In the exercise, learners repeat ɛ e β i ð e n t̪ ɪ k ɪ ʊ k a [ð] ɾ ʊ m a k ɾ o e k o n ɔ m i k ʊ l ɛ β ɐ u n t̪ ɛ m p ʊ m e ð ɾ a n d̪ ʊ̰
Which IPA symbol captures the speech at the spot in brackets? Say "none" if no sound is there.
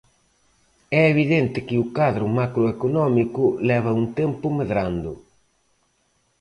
ð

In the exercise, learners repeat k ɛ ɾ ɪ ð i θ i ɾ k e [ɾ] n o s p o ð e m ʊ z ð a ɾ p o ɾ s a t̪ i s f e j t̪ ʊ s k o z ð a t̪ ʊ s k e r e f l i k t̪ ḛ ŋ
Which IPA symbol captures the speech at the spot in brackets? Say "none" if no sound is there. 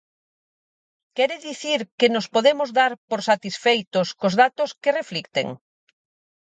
none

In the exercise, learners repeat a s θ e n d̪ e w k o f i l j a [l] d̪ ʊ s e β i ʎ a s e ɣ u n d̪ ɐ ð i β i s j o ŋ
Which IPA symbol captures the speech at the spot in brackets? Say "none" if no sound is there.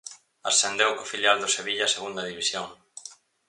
l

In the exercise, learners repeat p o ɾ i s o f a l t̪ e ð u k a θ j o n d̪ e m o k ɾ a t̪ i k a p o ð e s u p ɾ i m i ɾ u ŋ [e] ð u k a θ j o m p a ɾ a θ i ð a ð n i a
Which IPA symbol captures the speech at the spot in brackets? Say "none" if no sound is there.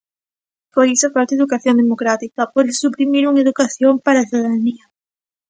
e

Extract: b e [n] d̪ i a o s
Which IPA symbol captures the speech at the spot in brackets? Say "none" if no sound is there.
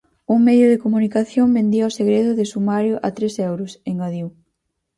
n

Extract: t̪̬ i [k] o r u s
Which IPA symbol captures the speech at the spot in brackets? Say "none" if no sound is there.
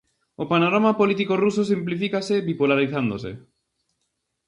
k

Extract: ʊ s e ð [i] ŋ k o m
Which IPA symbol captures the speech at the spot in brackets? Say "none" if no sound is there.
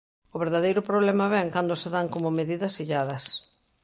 a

